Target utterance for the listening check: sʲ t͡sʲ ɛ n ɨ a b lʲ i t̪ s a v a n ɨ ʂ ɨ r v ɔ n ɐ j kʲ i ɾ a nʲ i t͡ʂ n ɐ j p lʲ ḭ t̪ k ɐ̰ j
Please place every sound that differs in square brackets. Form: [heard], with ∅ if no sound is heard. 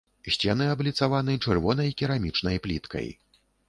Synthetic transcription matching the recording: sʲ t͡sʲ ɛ n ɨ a b lʲ i t̪ s a v a n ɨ [t͡ʂ] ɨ r v ɔ n ɐ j kʲ i ɾ a [mʲ] i t͡ʂ n ɐ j p lʲ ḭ t̪ k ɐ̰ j